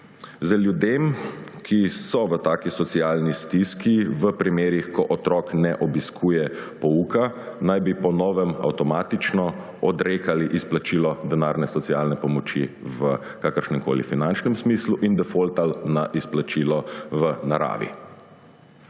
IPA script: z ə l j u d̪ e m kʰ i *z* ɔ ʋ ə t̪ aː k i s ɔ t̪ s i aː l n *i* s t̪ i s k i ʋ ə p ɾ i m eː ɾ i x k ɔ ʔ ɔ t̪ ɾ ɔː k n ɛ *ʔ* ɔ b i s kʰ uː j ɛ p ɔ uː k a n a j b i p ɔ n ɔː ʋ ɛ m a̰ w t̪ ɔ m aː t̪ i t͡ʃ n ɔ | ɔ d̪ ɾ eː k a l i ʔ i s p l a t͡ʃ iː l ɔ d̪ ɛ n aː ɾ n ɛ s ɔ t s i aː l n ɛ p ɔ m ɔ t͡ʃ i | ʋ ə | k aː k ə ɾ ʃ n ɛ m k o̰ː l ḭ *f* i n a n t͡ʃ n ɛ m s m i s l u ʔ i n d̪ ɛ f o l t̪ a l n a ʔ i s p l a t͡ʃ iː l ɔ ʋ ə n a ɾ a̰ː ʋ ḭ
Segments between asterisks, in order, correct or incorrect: incorrect, correct, correct, correct

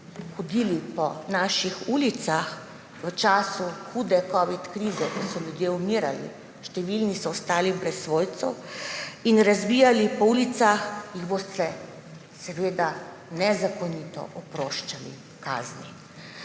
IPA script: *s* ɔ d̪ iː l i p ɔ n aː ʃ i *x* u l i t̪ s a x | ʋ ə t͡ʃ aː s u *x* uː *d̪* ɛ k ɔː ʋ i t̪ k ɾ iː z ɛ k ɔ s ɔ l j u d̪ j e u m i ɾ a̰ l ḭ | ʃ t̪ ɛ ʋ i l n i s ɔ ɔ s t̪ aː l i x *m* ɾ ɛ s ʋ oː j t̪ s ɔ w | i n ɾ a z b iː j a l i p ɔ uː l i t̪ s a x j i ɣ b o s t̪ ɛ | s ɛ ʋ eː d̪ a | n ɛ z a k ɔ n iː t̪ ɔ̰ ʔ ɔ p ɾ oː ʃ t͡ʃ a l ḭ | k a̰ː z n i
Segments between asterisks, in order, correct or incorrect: incorrect, correct, correct, correct, incorrect

